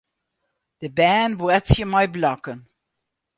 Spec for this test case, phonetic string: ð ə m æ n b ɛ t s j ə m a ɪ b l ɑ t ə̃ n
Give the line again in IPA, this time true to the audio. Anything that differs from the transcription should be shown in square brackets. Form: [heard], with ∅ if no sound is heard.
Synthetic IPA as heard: ð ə [b] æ n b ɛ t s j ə m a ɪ b l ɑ [k] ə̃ n